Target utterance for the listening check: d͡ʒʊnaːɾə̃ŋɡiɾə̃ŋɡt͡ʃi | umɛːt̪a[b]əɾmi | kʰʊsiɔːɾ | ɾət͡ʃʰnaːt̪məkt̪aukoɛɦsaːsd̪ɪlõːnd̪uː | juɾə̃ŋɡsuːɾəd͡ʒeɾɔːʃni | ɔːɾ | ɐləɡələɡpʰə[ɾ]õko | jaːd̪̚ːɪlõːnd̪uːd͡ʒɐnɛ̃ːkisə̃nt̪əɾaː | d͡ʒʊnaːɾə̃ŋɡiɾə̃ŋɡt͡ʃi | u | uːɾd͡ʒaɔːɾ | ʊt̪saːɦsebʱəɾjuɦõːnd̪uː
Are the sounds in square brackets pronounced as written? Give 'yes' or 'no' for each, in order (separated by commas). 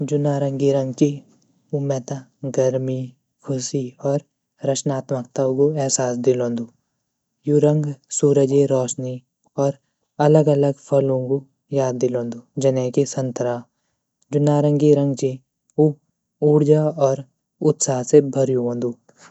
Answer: no, no